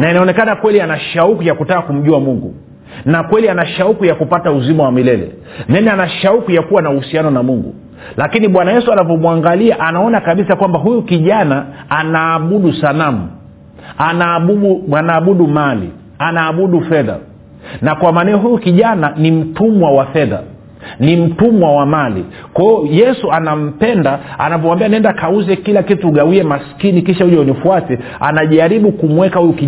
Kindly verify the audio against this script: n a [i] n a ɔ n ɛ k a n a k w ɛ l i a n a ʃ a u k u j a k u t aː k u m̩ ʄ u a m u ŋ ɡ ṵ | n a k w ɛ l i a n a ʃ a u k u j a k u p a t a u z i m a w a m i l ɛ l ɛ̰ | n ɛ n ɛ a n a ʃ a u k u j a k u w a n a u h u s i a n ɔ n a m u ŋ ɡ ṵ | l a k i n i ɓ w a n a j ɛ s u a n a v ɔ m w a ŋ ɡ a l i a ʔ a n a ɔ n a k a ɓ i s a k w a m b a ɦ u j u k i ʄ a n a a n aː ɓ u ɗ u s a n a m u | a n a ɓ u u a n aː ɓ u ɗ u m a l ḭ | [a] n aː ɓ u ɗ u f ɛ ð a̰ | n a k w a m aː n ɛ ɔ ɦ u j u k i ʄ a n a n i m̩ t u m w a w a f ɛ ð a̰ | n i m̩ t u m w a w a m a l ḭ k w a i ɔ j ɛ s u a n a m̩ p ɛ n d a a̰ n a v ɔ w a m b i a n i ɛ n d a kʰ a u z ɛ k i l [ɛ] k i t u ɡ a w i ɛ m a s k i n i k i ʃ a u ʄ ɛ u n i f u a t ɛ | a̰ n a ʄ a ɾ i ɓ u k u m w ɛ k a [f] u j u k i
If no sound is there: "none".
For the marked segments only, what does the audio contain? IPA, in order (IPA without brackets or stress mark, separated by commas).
i, a, a, h